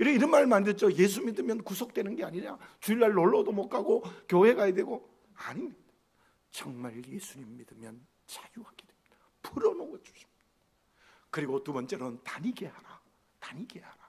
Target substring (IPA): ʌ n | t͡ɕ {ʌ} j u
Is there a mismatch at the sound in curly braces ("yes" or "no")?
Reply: yes